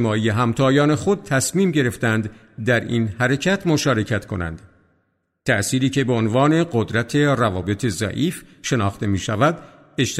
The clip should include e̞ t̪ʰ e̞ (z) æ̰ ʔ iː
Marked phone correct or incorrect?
correct